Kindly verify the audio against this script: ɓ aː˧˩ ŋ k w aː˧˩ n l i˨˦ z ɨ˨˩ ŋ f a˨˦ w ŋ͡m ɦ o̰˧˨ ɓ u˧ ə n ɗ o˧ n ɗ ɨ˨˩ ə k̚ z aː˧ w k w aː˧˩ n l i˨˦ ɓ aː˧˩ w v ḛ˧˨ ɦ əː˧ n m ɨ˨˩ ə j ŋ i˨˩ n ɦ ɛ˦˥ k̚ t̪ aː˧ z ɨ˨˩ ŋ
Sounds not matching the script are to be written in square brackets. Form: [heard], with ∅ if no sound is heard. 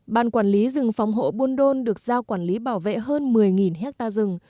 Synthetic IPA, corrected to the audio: ɓ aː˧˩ [n] k w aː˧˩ n l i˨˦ z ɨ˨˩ ŋ f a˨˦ w ŋ͡m ɦ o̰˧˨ ɓ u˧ ə n ɗ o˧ n ɗ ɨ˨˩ ə k̚ z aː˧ w k w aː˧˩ n l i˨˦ ɓ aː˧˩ w v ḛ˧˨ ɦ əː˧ n m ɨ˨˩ ə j ŋ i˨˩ n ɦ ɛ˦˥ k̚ t̪ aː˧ z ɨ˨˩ ŋ